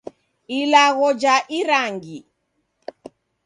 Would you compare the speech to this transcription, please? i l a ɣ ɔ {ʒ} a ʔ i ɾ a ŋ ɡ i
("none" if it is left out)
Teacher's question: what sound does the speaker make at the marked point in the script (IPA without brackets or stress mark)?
d͡ʒ